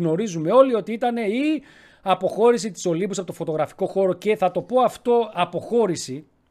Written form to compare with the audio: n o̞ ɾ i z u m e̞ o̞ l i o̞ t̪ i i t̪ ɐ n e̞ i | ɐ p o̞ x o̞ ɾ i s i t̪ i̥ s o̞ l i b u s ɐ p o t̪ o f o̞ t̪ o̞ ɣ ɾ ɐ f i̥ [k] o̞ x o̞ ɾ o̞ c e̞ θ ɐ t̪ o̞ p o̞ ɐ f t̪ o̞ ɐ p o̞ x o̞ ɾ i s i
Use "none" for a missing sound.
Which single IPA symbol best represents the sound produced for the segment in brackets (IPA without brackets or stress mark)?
k